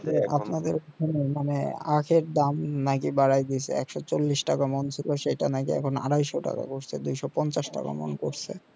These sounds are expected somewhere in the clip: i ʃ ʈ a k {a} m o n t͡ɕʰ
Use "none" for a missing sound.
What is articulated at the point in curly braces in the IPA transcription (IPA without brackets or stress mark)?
a